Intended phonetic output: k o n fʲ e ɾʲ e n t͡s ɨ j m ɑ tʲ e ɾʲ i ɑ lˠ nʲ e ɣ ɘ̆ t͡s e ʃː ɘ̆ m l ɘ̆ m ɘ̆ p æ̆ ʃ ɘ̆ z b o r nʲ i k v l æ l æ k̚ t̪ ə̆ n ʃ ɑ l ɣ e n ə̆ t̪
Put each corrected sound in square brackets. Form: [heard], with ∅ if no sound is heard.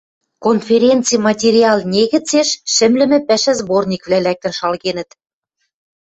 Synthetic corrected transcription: k o n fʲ e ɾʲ e n t͡s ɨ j m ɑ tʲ e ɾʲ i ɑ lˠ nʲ e ɣ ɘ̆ t͡s e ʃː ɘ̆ m l ɘ̆ m ɘ̆ p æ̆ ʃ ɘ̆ z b o r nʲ i k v l æ l æ k̚ t̪ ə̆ n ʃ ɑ l ɣ e n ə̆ t̪